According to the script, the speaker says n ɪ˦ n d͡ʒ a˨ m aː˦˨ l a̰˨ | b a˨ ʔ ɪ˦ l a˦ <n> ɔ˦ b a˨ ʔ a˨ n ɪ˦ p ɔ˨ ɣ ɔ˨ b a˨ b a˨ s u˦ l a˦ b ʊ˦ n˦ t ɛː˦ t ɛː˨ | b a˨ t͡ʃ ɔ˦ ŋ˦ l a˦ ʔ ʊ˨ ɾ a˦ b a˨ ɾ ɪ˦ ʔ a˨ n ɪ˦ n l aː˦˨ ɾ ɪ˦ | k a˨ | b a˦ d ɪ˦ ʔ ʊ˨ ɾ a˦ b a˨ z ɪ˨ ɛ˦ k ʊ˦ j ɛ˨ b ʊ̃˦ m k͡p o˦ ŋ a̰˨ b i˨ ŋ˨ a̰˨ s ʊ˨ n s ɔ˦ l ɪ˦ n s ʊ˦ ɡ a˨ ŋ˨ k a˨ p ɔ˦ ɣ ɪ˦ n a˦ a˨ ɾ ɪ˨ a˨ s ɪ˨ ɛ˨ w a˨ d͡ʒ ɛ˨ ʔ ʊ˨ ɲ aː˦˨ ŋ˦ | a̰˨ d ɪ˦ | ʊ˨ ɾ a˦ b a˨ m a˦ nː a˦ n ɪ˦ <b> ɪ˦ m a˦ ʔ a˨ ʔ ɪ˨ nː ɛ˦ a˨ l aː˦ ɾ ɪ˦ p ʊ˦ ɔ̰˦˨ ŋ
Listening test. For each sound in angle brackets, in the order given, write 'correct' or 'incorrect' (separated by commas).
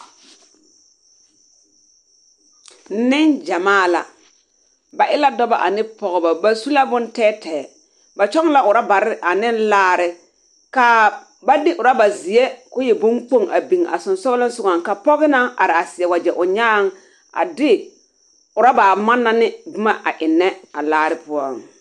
incorrect, correct